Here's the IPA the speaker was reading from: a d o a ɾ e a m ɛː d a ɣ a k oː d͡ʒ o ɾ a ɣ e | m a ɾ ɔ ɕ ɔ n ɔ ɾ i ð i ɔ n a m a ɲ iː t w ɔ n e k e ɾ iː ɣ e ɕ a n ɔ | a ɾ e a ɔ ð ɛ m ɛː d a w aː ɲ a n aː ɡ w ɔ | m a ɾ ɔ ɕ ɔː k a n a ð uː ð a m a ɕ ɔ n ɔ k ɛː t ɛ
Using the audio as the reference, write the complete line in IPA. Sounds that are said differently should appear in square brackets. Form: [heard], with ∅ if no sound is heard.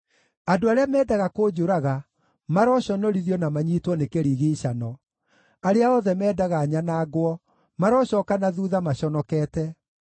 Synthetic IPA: a d o a ɾ e a m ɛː d a ɣ a k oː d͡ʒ o ɾ a ɣ [a] | m a ɾ ɔ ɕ ɔ n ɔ ɾ i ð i ɔ n a m a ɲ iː t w ɔ n e k e ɾ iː ɣ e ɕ a n ɔ | a ɾ e a ɔ ð ɛ m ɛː d a [ɣ] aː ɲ a n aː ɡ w ɔ | m a ɾ ɔ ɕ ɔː k a n a ð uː ð a m a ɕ ɔ n ɔ k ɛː t ɛ